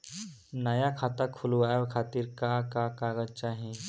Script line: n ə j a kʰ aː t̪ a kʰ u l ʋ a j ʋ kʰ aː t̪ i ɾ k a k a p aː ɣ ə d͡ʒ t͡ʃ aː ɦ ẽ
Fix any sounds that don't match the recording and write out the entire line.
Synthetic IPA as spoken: n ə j a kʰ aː t̪ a kʰ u l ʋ a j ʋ kʰ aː t̪ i ɾ k a k a k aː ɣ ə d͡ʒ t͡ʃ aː ɦ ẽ